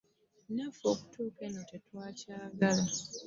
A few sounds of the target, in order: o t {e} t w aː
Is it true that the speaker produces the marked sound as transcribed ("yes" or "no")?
yes